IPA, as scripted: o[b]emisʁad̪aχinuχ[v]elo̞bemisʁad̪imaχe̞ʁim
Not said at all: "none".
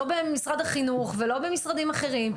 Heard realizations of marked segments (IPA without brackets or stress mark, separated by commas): b, v